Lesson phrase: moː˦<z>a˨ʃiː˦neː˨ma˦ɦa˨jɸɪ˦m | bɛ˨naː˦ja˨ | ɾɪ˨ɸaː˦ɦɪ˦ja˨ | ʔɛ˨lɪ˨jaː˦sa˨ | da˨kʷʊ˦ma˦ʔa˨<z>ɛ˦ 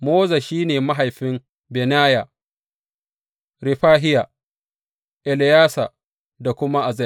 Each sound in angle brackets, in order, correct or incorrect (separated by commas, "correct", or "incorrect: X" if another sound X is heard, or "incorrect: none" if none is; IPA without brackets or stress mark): correct, correct